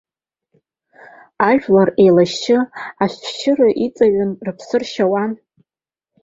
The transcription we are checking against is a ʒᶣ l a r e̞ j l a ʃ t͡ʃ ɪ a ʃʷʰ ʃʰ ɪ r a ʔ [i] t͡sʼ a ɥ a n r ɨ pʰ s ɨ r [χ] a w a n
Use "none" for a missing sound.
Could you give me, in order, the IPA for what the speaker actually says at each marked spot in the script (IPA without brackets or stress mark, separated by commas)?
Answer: i, ʃ